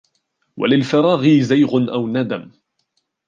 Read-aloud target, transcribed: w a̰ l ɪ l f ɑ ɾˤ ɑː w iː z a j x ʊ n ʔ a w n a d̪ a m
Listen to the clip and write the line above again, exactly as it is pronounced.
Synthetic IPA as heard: w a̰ l ɪ l f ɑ ɾˤ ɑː ɣ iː z a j ɣ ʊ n ʔ a w n a d̪ a m